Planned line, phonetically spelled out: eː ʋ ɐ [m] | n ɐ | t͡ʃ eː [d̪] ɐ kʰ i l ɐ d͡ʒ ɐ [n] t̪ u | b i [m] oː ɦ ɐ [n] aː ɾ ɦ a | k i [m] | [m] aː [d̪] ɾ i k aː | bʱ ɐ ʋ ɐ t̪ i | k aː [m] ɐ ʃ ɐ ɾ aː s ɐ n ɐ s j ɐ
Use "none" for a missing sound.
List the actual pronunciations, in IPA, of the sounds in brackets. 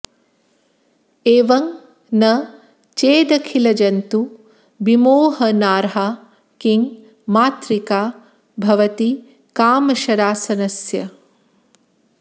ŋ, d̪, n, m, n, ŋ, m, t̪, m

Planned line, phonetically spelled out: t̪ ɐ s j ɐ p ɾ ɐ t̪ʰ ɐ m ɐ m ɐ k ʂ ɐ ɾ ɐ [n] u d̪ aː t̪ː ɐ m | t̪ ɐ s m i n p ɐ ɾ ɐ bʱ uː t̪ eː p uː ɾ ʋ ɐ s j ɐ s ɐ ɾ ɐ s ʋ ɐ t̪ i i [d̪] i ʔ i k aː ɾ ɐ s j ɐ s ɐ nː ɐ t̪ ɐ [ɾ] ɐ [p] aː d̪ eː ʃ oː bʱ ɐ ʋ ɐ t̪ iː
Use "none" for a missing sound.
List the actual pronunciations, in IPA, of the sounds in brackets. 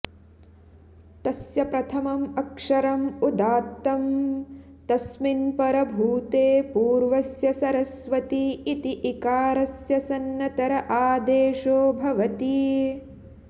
m, t̪, ɾ, ʔ

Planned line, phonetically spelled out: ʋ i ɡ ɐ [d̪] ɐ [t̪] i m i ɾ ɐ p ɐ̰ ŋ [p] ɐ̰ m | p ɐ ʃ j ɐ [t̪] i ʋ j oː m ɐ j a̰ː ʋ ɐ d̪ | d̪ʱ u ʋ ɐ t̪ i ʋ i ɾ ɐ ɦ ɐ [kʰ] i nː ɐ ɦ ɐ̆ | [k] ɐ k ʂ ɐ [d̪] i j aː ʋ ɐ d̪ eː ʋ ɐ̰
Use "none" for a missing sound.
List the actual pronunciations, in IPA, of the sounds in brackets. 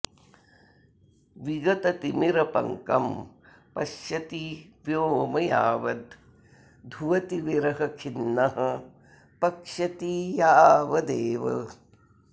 t̪, t̪, k, t̪, kʰ, p, t̪

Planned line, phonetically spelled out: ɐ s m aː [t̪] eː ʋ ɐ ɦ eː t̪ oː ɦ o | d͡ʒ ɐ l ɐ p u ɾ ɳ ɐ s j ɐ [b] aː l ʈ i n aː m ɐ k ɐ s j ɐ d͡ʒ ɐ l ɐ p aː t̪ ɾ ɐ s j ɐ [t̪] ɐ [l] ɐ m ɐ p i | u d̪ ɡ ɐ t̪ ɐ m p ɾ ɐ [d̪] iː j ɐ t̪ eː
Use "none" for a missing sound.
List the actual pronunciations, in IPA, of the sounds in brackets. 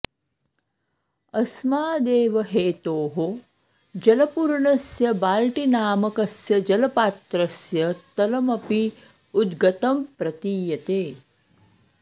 d̪, b, t̪, l, t̪

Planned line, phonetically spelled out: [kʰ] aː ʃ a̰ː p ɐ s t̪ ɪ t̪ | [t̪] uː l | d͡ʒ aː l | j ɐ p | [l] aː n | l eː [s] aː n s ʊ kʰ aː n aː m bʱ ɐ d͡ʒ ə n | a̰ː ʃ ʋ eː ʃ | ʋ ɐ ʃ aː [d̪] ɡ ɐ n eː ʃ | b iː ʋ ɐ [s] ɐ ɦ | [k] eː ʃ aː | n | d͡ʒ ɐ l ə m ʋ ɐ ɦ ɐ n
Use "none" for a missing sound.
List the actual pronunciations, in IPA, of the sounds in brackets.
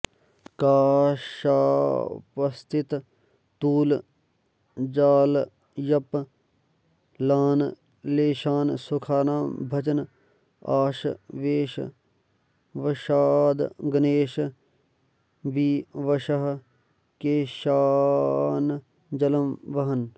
k, t̪, l, ʃ, d̪, ʃ, k

